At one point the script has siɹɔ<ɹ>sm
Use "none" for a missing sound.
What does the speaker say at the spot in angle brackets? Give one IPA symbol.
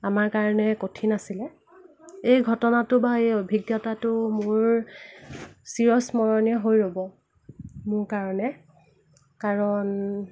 none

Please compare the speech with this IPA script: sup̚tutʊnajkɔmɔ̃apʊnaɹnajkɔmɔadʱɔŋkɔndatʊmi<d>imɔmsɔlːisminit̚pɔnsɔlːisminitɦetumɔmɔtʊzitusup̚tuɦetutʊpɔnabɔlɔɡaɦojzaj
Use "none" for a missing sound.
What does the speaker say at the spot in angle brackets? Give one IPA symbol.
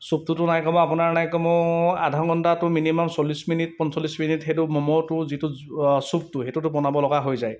n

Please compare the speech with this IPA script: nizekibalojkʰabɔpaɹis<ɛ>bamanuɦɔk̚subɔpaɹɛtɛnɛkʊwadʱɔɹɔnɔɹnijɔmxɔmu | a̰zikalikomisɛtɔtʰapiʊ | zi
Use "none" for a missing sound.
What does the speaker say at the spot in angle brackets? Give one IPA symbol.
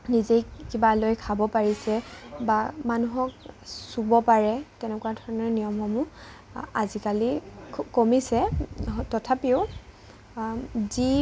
ɛ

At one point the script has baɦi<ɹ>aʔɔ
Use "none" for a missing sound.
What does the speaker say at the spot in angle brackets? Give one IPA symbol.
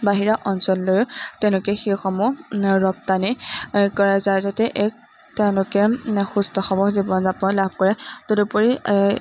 ɹ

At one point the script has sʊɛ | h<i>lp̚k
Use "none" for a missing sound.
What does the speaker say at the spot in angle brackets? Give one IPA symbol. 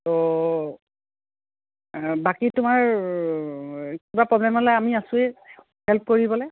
ɛ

